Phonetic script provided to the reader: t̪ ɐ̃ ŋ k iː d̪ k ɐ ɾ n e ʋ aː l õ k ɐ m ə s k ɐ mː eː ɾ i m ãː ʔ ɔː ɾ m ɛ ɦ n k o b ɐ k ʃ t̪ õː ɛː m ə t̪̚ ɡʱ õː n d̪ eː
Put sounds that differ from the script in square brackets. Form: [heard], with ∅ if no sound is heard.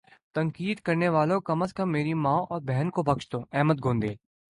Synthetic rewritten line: t̪ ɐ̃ ŋ k iː d̪ k ɐ ɾ n e ʋ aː l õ k ɐ m ə s k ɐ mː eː ɾ i m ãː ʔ ɔː ɾ [b] ɛ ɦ n k o b ɐ k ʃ t̪ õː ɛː m ə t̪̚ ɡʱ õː n d̪ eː